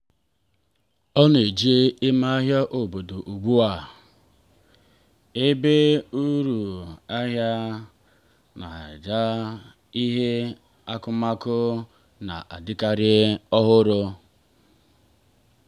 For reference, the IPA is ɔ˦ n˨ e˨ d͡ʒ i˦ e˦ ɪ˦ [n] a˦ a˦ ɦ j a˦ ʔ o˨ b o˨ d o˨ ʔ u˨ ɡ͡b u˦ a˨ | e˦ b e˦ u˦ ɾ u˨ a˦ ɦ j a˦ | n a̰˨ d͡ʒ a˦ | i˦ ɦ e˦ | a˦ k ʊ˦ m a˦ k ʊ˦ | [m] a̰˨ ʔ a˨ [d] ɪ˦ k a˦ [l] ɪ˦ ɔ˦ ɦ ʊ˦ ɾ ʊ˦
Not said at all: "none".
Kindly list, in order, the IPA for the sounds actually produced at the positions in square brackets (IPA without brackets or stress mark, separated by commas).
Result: m, n, d, ɾ